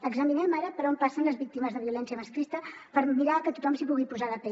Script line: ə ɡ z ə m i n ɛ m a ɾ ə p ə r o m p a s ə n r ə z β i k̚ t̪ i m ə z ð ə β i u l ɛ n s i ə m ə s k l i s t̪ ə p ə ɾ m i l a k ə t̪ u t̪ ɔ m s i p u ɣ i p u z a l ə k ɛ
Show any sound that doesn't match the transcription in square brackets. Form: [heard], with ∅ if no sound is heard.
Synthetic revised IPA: ə ɡ z ə m i n ɛ m a ɾ ə p ə [ɾ] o m p a s ə n [l] ə z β i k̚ t̪ i m ə z ð ə β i u l ɛ n s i ə m ə s k [ɾ] i s t̪ ə p ə ɾ m i [ɾ] a k ə t̪ u t̪ ɔ m s i p u ɣ i p u z a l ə [p] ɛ